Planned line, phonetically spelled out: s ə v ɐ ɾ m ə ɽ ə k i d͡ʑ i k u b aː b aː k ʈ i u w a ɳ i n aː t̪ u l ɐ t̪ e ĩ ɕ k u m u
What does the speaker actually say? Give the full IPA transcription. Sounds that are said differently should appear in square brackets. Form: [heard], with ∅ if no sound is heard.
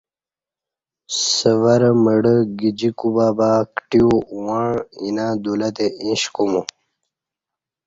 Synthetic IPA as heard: s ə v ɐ ɾ m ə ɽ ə [ɡ] i d͡ʑ i k u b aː b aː k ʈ i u w a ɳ i n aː [d̪] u l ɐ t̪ e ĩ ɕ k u m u